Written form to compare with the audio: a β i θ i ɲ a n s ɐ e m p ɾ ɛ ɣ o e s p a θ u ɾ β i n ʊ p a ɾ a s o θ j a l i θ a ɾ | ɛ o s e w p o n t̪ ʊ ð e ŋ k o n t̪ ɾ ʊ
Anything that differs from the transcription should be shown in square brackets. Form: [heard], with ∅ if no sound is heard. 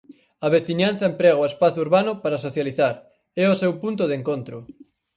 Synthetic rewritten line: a β [e] θ i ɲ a n [θ] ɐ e m p ɾ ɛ ɣ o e s p a θ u ɾ β [a] n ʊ p a ɾ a s o θ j a l i θ a ɾ | ɛ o s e w p [u] n t̪ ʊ ð e ŋ k o n t̪ ɾ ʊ